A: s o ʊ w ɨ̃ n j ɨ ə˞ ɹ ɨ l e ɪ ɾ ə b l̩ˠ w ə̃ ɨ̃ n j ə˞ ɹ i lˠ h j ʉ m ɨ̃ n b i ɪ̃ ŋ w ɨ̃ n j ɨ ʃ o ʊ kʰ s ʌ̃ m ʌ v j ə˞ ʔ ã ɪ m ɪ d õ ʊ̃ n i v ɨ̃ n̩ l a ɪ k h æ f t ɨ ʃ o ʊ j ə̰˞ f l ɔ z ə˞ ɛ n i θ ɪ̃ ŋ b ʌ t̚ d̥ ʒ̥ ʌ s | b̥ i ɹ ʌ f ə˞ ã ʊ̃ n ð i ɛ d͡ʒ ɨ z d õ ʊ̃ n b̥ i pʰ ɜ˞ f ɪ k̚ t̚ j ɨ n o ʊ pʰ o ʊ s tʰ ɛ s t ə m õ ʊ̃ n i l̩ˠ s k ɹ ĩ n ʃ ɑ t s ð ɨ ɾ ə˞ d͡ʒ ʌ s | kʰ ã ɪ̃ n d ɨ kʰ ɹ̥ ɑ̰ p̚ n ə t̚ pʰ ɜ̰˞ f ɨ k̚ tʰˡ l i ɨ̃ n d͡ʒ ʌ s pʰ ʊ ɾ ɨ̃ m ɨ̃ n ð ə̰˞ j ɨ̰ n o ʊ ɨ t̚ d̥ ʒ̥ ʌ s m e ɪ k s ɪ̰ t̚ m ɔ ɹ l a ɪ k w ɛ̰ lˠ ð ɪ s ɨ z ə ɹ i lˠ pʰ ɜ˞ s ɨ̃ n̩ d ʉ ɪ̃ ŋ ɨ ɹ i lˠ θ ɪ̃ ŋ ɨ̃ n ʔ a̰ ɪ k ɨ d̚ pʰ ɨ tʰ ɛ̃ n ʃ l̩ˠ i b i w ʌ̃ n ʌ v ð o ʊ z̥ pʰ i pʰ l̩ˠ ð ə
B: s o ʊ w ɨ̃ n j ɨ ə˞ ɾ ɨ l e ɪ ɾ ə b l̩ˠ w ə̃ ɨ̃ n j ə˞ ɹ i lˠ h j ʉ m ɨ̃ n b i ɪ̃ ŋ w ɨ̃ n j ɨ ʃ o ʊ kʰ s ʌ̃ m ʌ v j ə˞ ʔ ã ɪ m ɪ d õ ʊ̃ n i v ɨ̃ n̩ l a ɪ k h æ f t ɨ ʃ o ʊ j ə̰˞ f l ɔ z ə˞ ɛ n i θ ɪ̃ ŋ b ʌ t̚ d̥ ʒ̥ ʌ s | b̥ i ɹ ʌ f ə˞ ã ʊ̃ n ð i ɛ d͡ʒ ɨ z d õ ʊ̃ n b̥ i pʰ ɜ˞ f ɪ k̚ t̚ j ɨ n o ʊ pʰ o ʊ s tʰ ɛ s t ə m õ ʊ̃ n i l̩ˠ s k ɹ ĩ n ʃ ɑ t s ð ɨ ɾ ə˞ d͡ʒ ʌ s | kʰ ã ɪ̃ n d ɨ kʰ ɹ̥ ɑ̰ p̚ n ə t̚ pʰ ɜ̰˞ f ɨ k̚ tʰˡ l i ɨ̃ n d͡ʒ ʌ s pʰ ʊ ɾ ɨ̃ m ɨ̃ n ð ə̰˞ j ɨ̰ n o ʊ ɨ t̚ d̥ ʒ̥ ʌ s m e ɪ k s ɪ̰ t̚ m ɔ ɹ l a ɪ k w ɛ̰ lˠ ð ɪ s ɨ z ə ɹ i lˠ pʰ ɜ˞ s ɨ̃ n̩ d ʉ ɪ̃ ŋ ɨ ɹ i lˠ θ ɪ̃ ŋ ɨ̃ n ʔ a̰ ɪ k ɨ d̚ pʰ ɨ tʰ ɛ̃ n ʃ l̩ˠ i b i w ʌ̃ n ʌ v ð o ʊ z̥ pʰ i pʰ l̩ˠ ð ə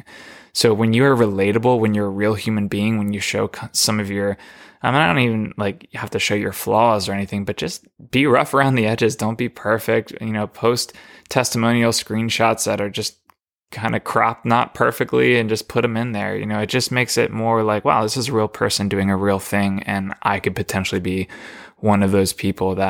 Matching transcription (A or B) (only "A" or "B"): A